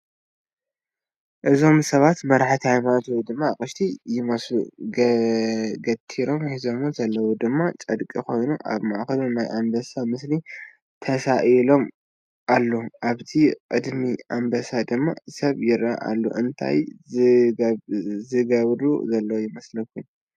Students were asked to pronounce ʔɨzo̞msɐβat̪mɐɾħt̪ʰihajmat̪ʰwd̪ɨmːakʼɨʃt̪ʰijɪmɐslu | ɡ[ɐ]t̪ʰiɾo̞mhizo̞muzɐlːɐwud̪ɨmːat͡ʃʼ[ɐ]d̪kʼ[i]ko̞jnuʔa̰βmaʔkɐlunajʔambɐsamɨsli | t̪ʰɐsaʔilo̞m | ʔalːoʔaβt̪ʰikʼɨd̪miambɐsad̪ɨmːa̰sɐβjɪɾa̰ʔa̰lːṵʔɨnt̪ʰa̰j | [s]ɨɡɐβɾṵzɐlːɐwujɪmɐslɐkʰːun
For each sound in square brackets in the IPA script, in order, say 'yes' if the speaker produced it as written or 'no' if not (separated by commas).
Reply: yes, yes, yes, no